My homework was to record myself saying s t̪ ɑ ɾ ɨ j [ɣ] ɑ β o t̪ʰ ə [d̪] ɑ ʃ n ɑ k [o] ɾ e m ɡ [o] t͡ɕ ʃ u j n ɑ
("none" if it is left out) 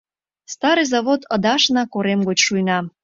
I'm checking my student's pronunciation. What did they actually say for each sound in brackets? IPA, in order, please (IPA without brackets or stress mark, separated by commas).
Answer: z, d̪, o, o